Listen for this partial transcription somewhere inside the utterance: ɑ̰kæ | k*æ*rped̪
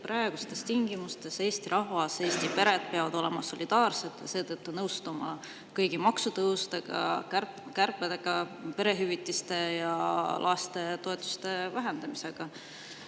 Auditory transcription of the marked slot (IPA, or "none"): æ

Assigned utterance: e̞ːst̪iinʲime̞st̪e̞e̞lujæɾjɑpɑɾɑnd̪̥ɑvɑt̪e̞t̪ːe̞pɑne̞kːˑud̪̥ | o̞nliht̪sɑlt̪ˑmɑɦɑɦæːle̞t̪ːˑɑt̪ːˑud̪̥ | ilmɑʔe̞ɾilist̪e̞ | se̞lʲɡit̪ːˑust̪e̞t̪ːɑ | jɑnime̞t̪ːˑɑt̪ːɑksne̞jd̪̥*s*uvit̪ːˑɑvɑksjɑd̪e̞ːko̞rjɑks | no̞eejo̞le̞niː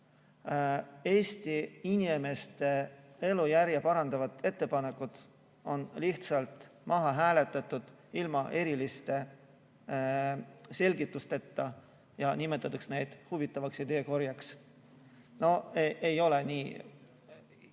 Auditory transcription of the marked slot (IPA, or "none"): h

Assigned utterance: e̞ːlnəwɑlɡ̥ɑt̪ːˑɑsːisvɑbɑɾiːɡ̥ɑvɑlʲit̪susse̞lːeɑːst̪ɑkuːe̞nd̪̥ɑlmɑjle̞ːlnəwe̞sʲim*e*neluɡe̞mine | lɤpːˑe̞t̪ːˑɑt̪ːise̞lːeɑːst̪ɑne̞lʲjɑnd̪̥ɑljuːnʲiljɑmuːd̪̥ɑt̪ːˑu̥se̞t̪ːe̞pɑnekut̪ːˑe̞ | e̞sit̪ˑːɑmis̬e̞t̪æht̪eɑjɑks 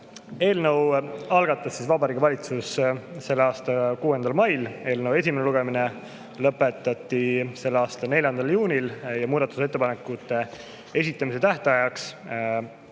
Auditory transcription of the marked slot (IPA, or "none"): e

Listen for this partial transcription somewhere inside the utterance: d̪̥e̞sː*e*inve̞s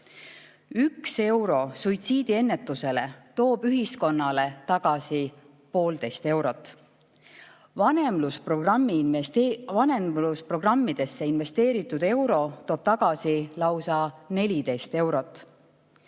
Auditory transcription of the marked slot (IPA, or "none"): e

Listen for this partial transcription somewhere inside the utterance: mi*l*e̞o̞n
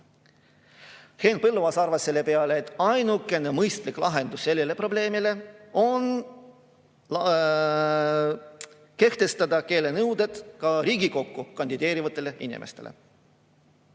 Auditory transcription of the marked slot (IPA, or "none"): l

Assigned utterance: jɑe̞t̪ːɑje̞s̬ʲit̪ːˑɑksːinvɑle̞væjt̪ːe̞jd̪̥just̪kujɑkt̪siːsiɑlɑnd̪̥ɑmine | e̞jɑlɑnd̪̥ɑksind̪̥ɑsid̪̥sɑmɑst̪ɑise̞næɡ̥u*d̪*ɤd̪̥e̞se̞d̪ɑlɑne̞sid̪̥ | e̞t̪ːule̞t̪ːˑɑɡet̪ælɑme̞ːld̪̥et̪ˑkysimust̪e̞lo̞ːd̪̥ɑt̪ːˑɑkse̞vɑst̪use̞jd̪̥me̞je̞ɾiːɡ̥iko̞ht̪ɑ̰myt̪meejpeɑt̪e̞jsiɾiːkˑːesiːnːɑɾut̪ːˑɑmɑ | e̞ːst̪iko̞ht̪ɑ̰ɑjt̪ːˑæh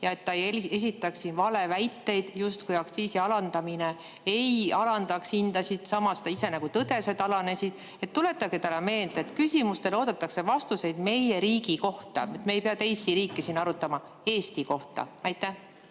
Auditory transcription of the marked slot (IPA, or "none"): t̪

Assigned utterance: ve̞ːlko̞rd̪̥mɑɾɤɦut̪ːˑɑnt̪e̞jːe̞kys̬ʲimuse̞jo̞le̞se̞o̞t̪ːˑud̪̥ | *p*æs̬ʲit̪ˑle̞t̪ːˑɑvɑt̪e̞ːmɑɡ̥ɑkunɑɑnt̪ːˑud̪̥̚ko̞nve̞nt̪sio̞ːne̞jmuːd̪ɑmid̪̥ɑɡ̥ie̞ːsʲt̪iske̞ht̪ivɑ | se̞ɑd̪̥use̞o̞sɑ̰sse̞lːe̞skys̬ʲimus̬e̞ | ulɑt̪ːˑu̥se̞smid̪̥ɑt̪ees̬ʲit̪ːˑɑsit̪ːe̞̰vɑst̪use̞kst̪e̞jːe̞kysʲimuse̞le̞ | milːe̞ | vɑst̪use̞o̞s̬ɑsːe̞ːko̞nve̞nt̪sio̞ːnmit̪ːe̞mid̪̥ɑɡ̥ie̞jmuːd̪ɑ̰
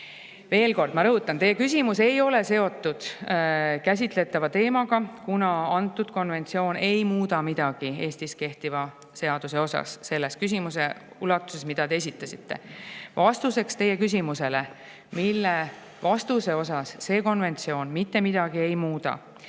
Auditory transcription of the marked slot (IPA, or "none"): k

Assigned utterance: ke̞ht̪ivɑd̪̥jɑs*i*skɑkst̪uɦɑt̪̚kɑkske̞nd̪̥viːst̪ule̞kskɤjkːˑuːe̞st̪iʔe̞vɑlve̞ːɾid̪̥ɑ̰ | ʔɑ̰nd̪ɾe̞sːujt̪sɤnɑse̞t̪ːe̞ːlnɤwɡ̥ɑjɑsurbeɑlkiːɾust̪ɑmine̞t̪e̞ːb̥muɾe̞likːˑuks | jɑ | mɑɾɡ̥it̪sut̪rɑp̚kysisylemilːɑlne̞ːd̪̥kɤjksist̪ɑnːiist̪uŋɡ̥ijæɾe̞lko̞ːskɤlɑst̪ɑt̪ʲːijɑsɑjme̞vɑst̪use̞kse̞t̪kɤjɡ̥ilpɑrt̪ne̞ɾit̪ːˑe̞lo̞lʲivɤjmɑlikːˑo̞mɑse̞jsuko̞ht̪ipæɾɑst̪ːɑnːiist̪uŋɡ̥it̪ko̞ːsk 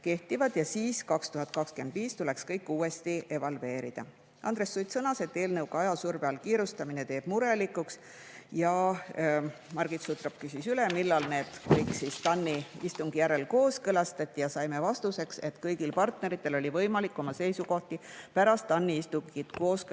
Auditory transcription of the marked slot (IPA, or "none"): iː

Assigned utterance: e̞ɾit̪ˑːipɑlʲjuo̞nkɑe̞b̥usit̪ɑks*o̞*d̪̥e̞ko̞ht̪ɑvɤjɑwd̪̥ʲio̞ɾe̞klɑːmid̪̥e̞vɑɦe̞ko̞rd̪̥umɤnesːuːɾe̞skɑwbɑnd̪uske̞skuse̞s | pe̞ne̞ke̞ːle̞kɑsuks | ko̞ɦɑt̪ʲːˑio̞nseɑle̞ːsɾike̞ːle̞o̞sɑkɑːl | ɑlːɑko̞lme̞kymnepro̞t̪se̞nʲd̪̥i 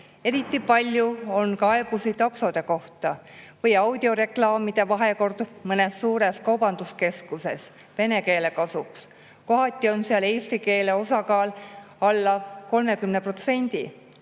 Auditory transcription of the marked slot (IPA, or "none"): o̞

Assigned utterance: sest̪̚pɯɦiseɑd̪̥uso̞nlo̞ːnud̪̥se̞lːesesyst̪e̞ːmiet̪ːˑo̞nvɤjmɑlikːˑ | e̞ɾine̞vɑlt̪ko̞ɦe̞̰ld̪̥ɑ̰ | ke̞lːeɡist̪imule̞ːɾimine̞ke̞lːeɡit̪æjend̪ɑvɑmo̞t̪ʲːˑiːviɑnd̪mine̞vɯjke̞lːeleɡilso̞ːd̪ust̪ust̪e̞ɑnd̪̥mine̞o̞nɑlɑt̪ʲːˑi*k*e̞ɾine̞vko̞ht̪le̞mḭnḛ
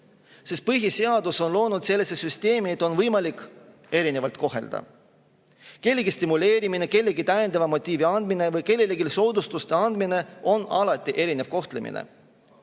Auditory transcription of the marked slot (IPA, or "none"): ʔ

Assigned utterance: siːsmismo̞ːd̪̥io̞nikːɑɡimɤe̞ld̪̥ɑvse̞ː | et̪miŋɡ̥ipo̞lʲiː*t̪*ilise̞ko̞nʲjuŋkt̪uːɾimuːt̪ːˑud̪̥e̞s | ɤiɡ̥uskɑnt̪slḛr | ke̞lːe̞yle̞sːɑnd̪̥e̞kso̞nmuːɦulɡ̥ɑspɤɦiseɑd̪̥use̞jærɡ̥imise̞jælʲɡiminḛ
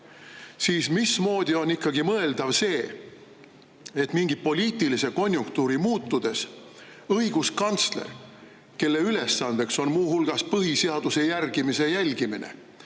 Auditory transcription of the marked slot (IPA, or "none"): t̪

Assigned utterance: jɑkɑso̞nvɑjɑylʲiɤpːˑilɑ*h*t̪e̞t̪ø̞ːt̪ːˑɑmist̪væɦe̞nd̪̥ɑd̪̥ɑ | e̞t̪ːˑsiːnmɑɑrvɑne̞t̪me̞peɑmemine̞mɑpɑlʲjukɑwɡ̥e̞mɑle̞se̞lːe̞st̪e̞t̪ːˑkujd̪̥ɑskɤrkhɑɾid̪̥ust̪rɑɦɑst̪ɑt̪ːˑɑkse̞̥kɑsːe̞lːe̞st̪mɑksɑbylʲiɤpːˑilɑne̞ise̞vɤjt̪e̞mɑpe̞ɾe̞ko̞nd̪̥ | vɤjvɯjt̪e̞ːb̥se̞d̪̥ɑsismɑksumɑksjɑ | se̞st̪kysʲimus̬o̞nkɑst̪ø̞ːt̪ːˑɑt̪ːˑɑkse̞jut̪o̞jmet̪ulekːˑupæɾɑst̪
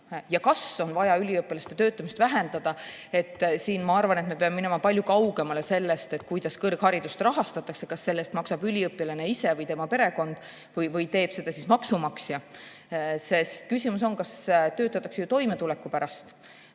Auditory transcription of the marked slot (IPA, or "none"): s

